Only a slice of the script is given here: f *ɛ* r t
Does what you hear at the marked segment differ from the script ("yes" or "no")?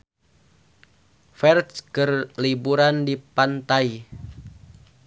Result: no